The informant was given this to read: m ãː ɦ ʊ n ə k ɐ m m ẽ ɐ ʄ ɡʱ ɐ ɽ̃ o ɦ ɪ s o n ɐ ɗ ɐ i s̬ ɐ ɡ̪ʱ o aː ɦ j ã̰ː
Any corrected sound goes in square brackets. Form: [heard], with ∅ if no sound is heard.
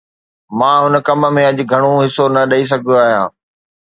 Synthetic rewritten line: m ãː ɦ ʊ n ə k ɐ m m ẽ ɐ ʄ ɡʱ ɐ ɽ̃ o ɦ ɪ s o n ɐ ɗ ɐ i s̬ ɐ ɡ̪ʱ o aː ɦ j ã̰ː